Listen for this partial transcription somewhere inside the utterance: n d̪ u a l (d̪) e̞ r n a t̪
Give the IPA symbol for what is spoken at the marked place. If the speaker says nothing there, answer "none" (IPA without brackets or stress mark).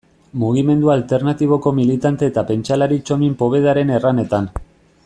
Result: t̪